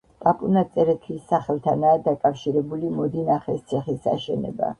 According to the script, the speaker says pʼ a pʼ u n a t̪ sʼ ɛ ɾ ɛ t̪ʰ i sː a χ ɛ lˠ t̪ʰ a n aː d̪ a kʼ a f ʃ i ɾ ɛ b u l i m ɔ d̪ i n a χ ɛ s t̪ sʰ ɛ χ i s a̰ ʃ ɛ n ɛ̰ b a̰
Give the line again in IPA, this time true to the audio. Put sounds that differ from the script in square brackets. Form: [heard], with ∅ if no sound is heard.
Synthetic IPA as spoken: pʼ a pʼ u n a t̪ sʼ ɛ ɾ ɛ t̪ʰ i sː a χ ɛ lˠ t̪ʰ a n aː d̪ a kʼ a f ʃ i ɾ ɛ b u l i m ɔ d̪ i n a χ ɛ s t̪ sʰ ɛ χ i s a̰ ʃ ɛ n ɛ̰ b a̰

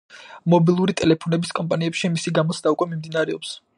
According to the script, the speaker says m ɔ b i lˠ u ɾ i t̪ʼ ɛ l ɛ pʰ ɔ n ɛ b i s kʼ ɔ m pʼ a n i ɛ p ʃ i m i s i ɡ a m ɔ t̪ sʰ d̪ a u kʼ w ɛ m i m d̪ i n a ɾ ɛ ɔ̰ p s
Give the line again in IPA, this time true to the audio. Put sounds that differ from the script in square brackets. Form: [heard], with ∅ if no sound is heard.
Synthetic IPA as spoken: m ɔ b i lˠ u ɾ i t̪ʼ ɛ l ɛ pʰ ɔ n ɛ b i s kʼ ɔ m pʼ a n i ɛ p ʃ i m i s i ɡ a m ɔ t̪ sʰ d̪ a u kʼ w ɛ m i m d̪ i n a ɾ ɛ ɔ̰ p s

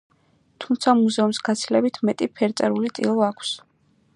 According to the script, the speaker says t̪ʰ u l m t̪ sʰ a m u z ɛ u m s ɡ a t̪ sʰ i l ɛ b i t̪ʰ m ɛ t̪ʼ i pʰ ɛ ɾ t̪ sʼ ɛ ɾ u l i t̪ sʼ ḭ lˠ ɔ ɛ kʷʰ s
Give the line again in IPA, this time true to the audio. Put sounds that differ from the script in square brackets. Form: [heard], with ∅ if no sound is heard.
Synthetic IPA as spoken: t̪ʰ u [∅] m t̪ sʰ a m u z ɛ u m s ɡ a t̪ sʰ i l ɛ b i t̪ʰ m ɛ t̪ʼ i pʰ ɛ ɾ t̪ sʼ ɛ ɾ u l i t̪ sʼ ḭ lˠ ɔ [a] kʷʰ s

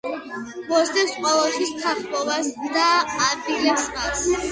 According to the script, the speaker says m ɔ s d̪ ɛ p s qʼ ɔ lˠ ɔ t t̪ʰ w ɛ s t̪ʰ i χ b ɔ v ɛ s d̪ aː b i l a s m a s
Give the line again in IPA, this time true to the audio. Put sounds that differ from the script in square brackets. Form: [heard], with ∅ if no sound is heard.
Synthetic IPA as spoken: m ɔ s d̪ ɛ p s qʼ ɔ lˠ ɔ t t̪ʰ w [i] s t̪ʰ [a] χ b ɔ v [a] s d̪ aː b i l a s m a s

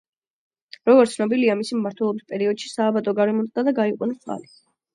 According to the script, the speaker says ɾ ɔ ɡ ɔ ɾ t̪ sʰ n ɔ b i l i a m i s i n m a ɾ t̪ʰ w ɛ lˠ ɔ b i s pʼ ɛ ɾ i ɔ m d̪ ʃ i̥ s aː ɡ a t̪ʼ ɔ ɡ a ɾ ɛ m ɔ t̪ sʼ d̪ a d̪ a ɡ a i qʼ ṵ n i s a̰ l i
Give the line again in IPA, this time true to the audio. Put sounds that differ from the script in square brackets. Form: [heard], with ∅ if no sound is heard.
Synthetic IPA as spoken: ɾ ɔ ɡ ɔ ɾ t̪ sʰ n ɔ b i l i a m i s i [m] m a ɾ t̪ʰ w ɛ lˠ ɔ b i s pʼ ɛ ɾ i ɔ [∅] d̪ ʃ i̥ s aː [b] a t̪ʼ ɔ ɡ a ɾ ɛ m ɔ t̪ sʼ d̪ a d̪ a ɡ a i qʼ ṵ n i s a̰ l i

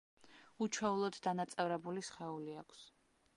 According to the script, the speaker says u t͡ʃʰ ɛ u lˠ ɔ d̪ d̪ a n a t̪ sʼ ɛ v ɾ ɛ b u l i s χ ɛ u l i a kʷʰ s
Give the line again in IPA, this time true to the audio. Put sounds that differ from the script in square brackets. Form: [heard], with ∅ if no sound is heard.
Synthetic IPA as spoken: u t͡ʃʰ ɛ u lˠ ɔ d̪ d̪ a n a t̪ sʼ ɛ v ɾ ɛ b u l i s χ ɛ u l i a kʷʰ s

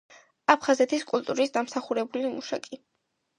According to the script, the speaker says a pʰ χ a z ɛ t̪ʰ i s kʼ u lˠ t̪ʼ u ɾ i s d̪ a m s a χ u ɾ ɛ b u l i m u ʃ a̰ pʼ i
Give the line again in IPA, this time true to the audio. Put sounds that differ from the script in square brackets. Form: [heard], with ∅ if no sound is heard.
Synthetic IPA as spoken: a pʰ χ a z ɛ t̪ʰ i s kʼ u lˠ t̪ʼ u ɾ i s d̪ a m s a χ u ɾ ɛ b u l i m u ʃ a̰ [kʼ] i

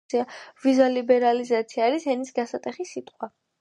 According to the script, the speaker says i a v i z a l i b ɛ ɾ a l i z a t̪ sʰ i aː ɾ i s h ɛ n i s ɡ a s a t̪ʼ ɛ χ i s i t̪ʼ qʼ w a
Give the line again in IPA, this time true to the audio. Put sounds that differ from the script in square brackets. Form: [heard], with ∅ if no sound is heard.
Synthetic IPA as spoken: i a v i z a l i b ɛ ɾ a l i z a t̪ sʰ i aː ɾ i s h ɛ n i s ɡ a s a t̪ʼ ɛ χ i s i t̪ʼ qʼ w a

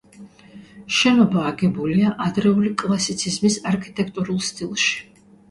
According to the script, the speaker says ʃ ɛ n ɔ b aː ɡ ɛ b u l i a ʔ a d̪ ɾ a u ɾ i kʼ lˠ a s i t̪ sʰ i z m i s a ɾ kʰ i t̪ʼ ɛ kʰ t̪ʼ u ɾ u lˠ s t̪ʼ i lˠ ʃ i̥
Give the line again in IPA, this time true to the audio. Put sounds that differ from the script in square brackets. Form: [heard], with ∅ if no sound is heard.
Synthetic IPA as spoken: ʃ ɛ n ɔ b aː ɡ ɛ b u l i a ʔ a d̪ ɾ [ɛ] u [l] i kʼ lˠ a s i t̪ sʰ i z m i s a ɾ kʰ i t̪ʼ ɛ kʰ t̪ʼ u ɾ u lˠ s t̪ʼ i lˠ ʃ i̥

